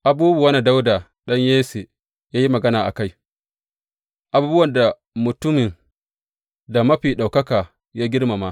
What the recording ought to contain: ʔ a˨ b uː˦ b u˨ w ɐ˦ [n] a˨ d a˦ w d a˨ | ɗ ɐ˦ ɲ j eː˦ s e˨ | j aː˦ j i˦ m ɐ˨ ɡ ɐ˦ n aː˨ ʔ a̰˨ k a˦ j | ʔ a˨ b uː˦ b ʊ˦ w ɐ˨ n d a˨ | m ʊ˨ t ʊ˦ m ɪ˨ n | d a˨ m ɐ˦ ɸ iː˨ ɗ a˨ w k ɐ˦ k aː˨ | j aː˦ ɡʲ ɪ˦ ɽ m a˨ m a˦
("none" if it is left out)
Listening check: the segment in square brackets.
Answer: n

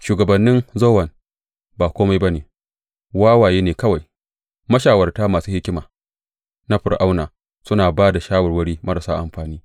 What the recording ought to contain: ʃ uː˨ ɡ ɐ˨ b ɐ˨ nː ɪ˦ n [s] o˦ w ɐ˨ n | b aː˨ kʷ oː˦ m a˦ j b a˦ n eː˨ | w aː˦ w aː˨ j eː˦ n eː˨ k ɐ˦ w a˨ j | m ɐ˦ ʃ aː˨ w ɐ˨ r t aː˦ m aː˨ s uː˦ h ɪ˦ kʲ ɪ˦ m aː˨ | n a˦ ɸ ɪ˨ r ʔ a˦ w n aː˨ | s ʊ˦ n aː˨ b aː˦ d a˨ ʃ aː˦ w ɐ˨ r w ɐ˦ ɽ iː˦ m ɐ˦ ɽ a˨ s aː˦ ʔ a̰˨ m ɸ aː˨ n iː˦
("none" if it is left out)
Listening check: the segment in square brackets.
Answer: z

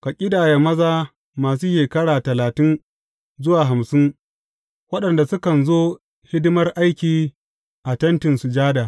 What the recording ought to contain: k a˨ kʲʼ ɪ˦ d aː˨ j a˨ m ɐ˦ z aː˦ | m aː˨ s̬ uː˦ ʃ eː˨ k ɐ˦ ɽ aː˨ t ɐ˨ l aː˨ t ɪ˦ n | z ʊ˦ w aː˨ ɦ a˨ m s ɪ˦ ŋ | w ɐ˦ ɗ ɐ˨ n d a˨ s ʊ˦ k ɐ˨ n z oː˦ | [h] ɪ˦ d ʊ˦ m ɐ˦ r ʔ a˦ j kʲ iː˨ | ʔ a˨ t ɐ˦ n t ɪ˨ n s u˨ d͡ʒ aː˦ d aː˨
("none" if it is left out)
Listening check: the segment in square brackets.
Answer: h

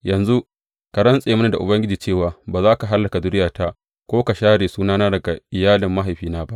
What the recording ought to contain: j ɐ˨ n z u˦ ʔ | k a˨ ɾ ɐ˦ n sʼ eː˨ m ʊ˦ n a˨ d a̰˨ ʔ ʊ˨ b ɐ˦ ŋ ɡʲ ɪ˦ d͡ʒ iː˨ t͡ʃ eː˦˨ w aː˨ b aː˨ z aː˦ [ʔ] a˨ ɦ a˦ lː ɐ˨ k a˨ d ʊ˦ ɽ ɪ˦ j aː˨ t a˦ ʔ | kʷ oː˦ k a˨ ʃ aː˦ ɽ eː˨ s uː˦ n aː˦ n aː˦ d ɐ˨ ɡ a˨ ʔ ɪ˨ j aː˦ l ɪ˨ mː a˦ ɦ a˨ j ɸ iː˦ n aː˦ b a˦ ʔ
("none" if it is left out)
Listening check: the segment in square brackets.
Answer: k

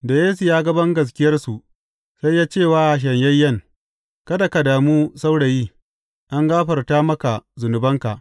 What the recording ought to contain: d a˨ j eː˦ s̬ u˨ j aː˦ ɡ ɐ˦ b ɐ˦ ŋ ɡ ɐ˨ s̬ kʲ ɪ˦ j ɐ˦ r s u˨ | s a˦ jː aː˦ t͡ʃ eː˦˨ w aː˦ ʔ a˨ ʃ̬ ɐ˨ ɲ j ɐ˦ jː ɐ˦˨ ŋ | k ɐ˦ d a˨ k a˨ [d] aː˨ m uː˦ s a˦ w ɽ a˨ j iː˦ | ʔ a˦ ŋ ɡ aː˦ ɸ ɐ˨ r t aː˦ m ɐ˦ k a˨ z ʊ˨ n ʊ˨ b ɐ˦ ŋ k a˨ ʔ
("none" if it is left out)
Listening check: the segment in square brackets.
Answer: d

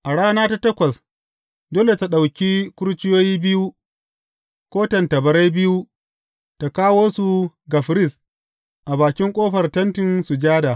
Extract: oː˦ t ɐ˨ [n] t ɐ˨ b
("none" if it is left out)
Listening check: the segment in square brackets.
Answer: n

